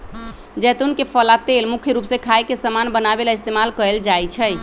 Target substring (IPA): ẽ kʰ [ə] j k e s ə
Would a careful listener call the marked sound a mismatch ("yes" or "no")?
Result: yes